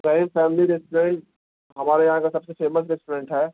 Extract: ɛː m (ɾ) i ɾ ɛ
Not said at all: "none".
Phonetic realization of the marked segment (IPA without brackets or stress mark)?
l